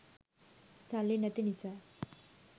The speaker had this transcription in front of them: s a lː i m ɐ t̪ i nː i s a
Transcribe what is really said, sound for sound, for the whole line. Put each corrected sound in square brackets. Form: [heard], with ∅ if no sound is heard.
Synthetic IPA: s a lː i [n] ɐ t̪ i [n] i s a